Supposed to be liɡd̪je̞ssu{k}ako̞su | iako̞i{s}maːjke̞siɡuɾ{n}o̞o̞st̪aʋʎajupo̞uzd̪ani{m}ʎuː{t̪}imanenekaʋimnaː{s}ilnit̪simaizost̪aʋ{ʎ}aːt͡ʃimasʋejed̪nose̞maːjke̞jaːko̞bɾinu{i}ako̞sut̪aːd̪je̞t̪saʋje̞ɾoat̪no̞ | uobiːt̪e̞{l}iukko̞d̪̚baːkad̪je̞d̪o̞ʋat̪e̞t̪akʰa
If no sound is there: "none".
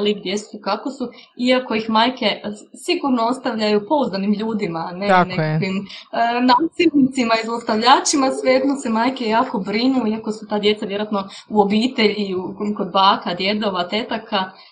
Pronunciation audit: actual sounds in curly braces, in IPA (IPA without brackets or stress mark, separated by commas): k, x, n, m, d̪, s, ʎ, i, ʎ